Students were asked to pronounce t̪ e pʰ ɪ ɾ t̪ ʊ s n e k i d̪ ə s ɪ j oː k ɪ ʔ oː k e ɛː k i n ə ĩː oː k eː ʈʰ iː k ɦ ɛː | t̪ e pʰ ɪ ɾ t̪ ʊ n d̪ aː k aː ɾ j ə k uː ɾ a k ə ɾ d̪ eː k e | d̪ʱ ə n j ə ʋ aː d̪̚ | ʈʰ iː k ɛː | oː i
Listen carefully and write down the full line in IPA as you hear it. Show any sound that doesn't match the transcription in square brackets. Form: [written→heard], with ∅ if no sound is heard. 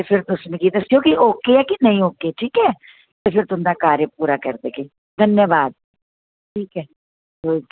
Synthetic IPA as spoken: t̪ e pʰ ɪ ɾ t̪ ʊ s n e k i d̪ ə s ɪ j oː k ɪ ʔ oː k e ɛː k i n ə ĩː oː k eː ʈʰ iː k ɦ ɛː | t̪ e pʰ ɪ ɾ t̪ ʊ n d̪ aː k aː ɾ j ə [k→p] uː ɾ a k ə ɾ d̪ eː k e | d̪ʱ ə n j ə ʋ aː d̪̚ | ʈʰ iː k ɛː | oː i

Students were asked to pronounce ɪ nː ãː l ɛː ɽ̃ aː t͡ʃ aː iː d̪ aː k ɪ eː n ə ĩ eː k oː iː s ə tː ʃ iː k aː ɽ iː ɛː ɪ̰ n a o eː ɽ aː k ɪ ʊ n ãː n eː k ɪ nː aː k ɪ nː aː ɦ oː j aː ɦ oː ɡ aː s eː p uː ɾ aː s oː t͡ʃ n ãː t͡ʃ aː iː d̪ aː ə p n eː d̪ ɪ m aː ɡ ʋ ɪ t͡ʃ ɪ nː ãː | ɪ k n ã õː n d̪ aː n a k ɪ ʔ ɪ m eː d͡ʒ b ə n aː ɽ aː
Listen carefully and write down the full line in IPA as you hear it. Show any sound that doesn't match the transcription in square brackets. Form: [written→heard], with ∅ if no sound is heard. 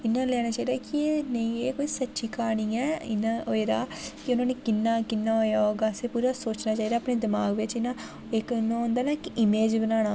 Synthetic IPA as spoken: ɪ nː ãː l ɛː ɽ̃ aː t͡ʃ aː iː d̪ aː k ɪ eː n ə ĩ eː k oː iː s ə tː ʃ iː k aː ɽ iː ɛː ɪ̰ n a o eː [ɽ→ɾ] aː k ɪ ʊ n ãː n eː k ɪ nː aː k ɪ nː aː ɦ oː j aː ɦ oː ɡ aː s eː p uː ɾ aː s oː t͡ʃ n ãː t͡ʃ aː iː d̪ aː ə p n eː d̪ ɪ m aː ɡ ʋ ɪ t͡ʃ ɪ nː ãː | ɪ k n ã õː n d̪ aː n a k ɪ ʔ ɪ m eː d͡ʒ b ə n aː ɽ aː

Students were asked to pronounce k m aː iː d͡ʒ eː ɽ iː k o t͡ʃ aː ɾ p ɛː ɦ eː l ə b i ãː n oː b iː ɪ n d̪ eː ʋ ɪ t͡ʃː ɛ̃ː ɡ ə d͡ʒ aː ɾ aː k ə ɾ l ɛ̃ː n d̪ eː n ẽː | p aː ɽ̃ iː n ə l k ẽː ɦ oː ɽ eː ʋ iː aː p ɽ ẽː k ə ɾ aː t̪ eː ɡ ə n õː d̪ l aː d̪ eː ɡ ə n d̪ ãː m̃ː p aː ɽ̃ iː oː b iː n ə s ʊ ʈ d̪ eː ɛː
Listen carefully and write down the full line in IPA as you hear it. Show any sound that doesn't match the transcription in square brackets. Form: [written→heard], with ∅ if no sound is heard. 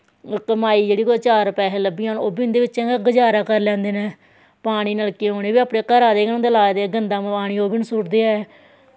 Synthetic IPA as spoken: k m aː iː d͡ʒ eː ɽ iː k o t͡ʃ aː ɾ p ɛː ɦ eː l ə b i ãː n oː b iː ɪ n d̪ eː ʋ ɪ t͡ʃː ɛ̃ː ɡ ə d͡ʒ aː ɾ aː k ə ɾ l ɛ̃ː n d̪ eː n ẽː | p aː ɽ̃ iː n ə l k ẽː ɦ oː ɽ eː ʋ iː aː p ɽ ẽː k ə ɾ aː [t̪→d̪] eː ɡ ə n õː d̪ l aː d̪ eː ɡ ə n d̪ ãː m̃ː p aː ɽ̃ iː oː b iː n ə s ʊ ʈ d̪ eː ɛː

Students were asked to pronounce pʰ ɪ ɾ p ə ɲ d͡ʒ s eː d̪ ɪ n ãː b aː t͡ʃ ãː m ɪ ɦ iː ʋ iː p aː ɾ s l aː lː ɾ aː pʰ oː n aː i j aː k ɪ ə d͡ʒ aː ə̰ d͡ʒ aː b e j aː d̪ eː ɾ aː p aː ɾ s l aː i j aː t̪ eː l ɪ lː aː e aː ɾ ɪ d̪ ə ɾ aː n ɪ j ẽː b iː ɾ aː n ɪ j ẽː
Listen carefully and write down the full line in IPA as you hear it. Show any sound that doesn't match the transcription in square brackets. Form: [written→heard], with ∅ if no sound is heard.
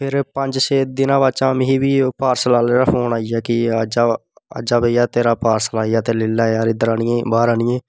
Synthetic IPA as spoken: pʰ ɪ ɾ p ə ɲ d͡ʒ s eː d̪ ɪ n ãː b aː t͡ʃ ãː m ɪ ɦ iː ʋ iː p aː ɾ s l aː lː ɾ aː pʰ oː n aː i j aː k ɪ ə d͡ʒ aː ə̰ d͡ʒ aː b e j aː [d̪→t̪] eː ɾ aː p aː ɾ s l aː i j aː t̪ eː l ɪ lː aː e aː ɾ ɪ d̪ ə ɾ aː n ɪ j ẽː b [iː→aː] ɾ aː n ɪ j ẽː

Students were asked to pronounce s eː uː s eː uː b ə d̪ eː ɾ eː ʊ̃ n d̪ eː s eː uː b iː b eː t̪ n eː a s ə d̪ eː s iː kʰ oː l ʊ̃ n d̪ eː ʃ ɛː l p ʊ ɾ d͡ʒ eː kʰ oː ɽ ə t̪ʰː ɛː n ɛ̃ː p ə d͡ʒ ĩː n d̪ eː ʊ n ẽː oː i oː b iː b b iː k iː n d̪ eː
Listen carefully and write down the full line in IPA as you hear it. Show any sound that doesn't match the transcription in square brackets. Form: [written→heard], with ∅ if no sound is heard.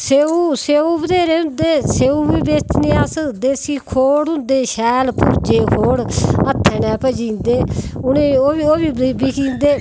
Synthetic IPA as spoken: s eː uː s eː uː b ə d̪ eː ɾ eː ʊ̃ n d̪ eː s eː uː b iː b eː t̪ n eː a s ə d̪ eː s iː kʰ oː [l→ɽ] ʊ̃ n d̪ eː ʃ ɛː l p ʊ ɾ d͡ʒ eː kʰ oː ɽ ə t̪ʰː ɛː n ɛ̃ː p ə d͡ʒ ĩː n d̪ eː ʊ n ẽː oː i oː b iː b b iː k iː n d̪ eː

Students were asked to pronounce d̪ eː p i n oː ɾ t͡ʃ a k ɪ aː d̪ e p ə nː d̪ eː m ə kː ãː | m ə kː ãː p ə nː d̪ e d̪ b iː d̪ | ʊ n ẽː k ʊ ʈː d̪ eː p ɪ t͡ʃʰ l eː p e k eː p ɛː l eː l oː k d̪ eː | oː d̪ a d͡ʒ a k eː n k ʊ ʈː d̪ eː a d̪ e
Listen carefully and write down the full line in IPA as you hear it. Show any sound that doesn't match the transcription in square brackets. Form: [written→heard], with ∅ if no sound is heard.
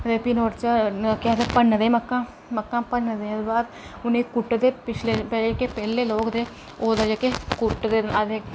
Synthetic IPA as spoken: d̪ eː p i n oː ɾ t͡ʃ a k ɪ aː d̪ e p ə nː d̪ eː m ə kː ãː | m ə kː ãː p ə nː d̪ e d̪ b [iː→aː] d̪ | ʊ n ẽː k ʊ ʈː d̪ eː p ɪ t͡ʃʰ l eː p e k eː p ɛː l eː l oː k d̪ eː | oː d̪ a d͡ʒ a k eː [n→∅] k ʊ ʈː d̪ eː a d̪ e

